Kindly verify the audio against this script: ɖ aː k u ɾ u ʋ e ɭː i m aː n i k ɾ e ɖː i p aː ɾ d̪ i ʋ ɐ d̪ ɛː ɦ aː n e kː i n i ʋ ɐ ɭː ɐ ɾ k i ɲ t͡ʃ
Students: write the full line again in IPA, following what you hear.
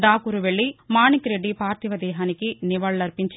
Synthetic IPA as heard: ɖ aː k u ɾ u ʋ e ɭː i m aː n i k ɾ e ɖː i p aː ɾ t̪ i ʋ ɐ d̪ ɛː ɦ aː n i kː i n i ʋ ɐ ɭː ɐ ɾ p i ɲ t͡ʃ